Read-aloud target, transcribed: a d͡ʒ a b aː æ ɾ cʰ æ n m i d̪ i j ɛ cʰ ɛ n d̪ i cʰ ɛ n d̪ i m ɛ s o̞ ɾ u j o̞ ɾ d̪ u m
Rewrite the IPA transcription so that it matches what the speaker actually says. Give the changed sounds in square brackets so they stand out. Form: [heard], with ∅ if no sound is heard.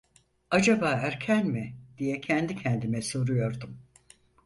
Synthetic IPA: a d͡ʒ a b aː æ ɾ cʰ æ n m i d̪ i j ɛ cʰ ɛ n d̪ i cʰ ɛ n d̪ i m ɛ s o̞ ɾ u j o̞ ɾ d̪ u m